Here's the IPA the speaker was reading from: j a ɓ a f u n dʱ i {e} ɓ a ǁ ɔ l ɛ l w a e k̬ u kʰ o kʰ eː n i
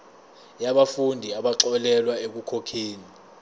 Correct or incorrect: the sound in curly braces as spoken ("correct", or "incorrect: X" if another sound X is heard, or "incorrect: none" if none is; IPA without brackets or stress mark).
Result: incorrect: a